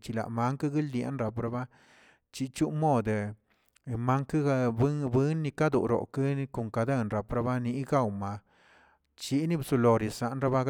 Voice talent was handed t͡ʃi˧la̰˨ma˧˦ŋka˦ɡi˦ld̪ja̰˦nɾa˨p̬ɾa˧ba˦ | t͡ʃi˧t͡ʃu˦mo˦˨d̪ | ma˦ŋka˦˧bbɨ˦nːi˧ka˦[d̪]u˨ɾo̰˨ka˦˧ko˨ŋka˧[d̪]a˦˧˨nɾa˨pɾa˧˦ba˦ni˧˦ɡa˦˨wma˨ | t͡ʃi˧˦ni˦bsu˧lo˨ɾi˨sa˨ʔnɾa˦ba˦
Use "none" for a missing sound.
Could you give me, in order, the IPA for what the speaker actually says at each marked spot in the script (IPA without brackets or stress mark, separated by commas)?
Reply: d̪, d̪